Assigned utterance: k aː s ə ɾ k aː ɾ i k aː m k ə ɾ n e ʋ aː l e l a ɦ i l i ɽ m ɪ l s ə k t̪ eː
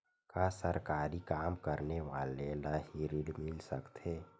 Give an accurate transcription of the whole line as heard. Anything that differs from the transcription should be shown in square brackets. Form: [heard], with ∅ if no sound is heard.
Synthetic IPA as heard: k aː s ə ɾ k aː ɾ i k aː m k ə ɾ n e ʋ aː l e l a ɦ i [ɾ] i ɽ m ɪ l s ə k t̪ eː